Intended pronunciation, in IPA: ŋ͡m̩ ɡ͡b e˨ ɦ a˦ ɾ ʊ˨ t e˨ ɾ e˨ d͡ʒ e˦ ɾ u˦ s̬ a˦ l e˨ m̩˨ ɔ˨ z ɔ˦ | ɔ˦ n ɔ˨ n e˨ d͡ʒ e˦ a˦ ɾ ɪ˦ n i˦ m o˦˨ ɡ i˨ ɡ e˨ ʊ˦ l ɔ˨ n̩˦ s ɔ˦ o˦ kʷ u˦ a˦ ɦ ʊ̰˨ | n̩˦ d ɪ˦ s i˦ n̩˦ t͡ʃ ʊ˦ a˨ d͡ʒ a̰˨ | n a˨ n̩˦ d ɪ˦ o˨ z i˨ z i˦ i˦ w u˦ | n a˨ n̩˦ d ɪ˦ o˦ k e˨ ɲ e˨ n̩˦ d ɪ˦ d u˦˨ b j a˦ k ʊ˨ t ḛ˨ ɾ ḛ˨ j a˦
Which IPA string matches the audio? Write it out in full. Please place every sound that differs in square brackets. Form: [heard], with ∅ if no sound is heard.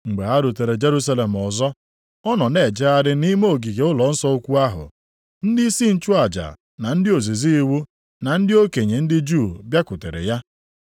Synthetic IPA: ŋ͡m̩ ɡ͡b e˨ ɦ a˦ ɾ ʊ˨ t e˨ ɾ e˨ d͡ʒ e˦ ɾ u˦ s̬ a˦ l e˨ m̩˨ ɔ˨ z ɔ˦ | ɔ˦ n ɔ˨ n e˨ d͡ʒ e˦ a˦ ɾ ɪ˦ n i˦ m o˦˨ ɡ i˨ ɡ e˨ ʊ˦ l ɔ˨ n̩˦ s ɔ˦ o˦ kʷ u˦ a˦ ɦ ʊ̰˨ | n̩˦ d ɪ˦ s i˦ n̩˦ t͡ʃ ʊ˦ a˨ d͡ʒ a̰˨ | n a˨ n̩˦ d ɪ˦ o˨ z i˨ z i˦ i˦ w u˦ | n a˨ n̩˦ d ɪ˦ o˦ k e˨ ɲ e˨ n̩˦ d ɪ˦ [d͡ʒ] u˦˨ b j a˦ k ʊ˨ t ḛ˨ ɾ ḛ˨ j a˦